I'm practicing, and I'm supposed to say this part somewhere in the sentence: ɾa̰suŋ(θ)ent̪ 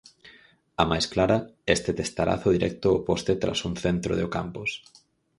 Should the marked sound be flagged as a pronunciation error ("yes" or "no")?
no